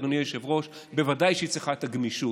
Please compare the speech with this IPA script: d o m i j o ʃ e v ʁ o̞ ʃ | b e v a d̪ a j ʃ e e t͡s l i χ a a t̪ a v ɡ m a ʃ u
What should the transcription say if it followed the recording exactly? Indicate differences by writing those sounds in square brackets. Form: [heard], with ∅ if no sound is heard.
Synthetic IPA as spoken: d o [n] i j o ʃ e v ʁ o̞ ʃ | b e v a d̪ a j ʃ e [i] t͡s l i χ a [e] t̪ a [∅] ɡ m [i] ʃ u